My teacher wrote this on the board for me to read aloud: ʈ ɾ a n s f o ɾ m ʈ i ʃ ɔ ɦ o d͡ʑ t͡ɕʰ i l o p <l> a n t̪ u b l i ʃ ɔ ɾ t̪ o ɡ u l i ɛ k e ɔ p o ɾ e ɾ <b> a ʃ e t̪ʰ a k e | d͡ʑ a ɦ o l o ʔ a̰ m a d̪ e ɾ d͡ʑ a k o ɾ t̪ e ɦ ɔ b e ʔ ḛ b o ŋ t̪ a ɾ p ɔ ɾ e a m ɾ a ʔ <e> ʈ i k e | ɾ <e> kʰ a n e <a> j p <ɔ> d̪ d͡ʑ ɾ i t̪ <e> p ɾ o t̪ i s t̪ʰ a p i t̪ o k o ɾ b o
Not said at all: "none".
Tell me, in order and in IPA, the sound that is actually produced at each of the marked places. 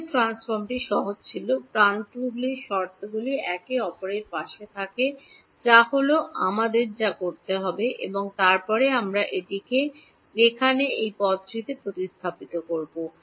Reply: ɾ, p, e, e, e, ɔ, e

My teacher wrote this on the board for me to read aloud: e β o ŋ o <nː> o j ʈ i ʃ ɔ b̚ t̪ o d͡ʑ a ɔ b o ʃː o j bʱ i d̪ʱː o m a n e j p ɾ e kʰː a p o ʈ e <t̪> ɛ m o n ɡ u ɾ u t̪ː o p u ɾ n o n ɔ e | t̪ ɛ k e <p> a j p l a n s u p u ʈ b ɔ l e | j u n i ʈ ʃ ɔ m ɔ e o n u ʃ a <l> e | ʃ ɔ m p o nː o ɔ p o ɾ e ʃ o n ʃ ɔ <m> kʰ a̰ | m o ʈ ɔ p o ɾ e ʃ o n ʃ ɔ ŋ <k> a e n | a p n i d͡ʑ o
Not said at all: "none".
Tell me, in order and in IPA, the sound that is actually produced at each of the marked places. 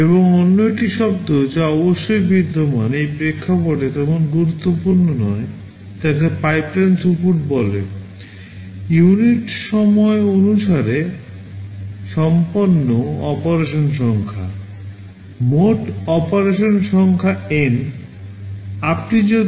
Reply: nː, t̪, p, ɾ, ŋ, kʰ

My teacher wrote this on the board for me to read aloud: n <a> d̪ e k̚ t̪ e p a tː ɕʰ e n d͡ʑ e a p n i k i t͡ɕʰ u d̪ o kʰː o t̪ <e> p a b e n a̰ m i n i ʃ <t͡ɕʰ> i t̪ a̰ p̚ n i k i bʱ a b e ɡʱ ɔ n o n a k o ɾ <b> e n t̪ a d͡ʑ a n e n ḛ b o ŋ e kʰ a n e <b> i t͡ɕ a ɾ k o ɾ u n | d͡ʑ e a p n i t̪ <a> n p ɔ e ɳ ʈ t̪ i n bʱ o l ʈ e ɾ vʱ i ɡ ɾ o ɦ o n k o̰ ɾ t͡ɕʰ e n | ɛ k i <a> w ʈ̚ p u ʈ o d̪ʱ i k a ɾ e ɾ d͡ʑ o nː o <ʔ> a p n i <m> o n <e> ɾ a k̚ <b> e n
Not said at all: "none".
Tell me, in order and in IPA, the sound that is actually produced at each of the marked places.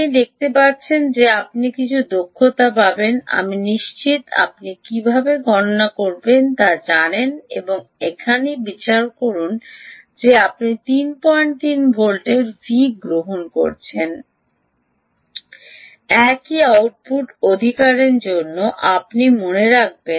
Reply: i, a, t͡ɕ, b, b, i, a, ʔ, m, e, b

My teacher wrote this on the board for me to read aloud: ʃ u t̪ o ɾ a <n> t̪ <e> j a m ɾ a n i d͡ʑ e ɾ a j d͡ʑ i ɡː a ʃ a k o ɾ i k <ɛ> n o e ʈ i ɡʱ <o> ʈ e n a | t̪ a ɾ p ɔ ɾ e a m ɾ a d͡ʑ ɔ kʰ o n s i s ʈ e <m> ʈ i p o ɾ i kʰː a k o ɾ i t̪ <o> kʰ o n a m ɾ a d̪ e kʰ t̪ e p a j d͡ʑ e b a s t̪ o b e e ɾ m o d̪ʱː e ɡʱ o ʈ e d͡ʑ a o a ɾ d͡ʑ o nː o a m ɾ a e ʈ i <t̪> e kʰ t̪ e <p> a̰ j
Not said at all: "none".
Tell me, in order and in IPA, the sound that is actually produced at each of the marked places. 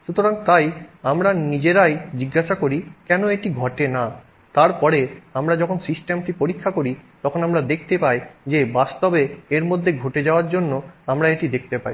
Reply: ŋ, a, ɛ, ɔ, m, ɔ, d̪, p

